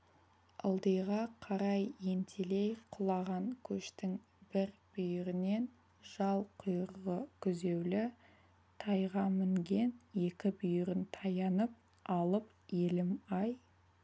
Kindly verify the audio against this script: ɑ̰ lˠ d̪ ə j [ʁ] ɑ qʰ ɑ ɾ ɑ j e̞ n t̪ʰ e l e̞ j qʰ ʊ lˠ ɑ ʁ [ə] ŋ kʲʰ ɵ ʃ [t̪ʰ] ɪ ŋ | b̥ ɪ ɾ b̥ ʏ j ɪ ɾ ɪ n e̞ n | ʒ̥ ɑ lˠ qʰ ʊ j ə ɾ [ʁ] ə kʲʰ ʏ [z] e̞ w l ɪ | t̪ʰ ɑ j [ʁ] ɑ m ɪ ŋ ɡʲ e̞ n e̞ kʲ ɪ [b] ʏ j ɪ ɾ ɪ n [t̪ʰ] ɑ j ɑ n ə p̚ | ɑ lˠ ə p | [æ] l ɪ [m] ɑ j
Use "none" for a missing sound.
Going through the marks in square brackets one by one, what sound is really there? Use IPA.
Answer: ʁ, ɑ, t̪, ʁ, z, ʁ, b, t̪ʰ, e, m

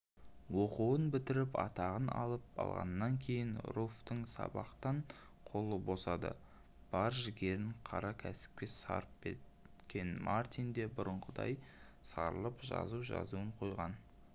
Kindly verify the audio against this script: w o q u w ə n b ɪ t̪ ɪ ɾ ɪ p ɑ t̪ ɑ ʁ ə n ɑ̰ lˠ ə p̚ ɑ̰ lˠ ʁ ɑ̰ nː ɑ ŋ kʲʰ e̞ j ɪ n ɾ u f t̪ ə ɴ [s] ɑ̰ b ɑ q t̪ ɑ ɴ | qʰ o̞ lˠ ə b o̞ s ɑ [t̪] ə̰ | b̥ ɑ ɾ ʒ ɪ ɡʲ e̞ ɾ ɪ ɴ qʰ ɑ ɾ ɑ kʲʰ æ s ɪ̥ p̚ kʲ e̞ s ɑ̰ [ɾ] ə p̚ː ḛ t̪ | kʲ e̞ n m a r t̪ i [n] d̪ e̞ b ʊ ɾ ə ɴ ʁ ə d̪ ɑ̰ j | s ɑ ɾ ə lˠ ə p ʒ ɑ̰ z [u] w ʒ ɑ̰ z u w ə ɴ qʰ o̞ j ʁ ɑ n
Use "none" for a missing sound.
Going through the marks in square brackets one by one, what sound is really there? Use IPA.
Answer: s, d̪, ɾ, n, u

